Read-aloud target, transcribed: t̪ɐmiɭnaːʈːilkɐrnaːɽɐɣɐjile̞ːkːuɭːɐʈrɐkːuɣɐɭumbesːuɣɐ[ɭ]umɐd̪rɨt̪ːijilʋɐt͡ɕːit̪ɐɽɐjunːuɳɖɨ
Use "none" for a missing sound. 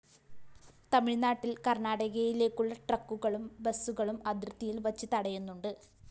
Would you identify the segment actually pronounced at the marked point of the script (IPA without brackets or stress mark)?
ɭ